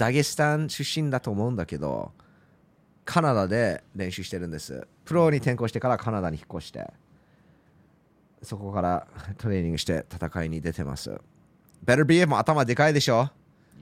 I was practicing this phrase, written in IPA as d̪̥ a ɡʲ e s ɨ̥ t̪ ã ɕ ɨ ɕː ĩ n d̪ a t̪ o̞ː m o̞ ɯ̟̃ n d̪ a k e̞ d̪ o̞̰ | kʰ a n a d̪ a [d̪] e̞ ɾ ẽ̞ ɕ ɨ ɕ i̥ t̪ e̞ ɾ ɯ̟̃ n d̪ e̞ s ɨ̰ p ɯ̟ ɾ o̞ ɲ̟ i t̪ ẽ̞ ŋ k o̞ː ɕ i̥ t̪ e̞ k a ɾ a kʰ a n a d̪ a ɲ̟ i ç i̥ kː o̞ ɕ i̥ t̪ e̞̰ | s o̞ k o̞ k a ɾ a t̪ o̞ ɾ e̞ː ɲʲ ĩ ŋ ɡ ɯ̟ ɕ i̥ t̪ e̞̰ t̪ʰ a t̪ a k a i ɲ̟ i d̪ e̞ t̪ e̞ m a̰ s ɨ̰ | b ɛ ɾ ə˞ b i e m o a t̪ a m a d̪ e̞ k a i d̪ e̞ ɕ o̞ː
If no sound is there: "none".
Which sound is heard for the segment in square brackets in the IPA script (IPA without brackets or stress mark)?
d̪